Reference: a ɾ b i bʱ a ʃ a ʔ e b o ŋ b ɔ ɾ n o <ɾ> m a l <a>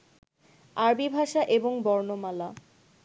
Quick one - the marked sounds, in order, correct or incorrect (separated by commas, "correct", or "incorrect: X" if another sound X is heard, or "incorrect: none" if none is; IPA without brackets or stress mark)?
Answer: incorrect: none, correct